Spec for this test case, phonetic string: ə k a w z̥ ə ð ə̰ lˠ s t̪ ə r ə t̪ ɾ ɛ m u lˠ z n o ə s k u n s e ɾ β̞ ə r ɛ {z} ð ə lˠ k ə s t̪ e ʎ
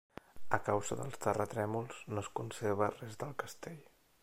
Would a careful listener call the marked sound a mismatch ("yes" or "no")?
no